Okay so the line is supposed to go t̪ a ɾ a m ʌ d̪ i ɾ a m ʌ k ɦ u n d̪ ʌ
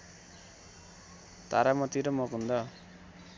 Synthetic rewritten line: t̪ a ɾ a m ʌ t̪ i ɾ ʌ m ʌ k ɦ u n d̪ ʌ